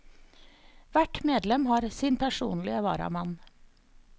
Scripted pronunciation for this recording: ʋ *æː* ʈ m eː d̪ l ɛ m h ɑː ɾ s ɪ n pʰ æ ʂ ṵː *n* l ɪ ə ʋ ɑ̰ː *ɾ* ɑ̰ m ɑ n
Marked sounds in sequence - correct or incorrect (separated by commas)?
incorrect, correct, correct